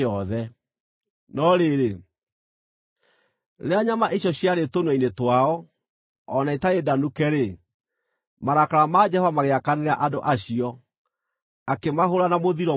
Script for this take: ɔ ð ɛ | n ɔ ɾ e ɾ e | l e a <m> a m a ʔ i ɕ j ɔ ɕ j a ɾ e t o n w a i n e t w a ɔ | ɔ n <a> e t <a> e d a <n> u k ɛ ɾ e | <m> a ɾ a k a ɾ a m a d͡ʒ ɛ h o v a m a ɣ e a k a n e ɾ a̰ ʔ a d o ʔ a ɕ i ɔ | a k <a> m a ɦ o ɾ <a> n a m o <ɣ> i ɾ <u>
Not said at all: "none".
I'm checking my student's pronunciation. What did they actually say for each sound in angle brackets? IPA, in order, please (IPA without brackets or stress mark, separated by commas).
ɲ, a, a, n, m, e, a, ð, ɔ